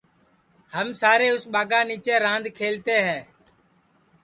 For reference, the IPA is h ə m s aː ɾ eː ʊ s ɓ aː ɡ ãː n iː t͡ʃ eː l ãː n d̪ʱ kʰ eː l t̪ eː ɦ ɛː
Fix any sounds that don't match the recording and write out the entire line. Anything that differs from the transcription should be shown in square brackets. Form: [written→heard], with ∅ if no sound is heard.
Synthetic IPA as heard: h ə m s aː ɾ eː ʊ s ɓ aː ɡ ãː n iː t͡ʃ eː [l→ɾ] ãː n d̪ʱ kʰ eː l t̪ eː ɦ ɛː